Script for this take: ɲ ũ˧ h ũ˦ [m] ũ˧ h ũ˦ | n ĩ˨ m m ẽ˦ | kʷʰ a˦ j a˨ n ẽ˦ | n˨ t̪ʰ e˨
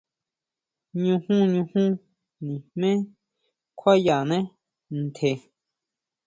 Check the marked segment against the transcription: incorrect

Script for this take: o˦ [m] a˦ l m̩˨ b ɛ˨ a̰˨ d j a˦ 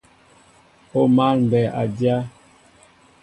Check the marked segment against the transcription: correct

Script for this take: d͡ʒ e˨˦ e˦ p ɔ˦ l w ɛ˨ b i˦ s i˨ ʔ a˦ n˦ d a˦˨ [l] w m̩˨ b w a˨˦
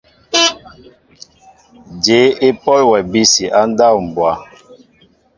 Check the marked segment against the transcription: incorrect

